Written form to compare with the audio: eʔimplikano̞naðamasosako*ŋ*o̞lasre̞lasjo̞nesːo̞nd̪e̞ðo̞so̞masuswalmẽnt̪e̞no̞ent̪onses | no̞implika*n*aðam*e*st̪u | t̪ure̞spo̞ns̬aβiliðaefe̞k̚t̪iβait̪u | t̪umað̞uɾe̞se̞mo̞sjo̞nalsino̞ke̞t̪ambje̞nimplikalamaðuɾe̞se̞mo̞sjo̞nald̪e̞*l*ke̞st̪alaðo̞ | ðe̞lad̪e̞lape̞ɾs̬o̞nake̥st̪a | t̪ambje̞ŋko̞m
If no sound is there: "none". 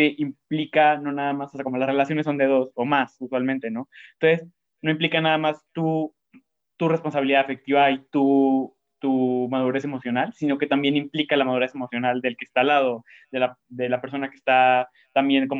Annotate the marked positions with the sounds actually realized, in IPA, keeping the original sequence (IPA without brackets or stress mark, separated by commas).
m, n, a, l